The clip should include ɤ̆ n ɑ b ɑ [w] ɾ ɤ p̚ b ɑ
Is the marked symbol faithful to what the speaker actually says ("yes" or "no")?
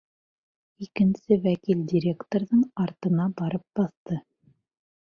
no